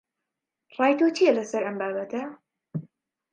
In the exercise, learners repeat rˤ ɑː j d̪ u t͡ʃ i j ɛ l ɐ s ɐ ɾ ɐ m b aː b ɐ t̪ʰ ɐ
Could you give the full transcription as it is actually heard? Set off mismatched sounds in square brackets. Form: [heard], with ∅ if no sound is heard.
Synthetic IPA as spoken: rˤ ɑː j [t̪] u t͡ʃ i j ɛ l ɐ s ɐ ɾ ɐ m b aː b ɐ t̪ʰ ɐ